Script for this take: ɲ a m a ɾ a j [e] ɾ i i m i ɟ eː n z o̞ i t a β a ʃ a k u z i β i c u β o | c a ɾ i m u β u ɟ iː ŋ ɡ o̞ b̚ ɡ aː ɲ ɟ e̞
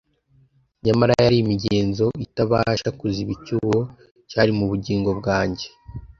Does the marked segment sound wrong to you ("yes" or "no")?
yes